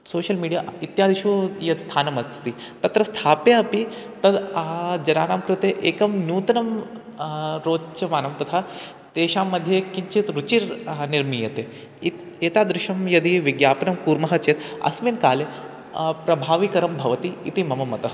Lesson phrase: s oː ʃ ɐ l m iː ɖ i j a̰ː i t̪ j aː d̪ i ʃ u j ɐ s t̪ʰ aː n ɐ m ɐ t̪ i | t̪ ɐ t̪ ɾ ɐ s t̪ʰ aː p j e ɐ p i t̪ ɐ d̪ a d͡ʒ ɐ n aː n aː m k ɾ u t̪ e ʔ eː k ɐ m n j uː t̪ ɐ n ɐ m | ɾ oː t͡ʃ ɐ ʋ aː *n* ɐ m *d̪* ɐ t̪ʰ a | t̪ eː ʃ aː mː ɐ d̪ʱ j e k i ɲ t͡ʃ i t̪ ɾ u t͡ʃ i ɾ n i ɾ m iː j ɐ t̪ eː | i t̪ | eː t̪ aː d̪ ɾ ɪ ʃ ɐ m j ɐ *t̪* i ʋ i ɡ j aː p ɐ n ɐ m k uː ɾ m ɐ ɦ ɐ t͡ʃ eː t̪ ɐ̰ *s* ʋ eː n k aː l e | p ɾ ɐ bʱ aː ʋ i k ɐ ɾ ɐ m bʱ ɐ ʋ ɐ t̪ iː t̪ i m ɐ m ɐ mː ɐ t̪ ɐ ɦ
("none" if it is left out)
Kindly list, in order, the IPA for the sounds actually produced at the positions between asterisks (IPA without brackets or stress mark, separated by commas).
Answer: n, t̪, d̪, s